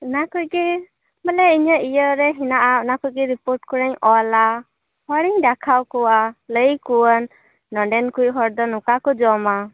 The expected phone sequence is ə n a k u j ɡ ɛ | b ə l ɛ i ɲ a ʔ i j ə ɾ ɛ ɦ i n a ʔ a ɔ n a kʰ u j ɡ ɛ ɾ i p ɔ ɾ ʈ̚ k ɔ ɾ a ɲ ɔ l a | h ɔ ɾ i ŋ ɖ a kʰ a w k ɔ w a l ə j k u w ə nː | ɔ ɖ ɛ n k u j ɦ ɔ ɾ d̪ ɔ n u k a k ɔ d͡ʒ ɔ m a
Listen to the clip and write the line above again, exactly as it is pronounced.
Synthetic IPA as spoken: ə n a k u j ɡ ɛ | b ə l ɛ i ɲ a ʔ i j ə ɾ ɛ ɦ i n a ʔ a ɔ n a k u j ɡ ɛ ɾ i p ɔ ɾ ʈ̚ k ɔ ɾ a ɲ ɔ l a | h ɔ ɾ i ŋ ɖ a kʰ a w k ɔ w a l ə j k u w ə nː | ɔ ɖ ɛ n k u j ɦ ɔ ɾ d̪ ɔ n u k a k ɔ d͡ʒ ɔ m a